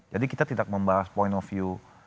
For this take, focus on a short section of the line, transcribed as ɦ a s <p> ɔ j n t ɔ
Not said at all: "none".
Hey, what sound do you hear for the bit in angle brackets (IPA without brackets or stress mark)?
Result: p